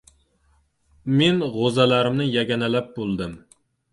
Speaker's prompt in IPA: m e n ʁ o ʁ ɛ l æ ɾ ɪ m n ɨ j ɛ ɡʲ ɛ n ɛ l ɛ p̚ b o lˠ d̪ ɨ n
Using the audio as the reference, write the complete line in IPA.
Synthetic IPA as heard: m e n ʁ o z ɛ l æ ɾ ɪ m n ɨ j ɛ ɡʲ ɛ n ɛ l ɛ p̚ b o lˠ d̪ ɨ m

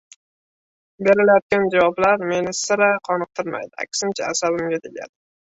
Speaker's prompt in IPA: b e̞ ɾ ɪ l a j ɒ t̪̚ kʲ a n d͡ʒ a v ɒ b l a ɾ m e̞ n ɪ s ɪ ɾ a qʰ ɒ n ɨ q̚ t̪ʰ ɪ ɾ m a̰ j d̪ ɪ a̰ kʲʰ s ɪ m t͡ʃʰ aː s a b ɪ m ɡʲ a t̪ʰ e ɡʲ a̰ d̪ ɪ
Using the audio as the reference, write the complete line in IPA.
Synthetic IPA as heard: b e̞ ɾ ɪ l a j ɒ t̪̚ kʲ a n d͡ʒ a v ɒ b l a ɾ m e̞ n ɪ s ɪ ɾ a qʰ ɒ n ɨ q̚ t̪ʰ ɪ ɾ m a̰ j d̪ ɪ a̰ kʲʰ s ɪ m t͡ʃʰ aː s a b ɪ m ɡʲ a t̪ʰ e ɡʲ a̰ d̪ ɪ

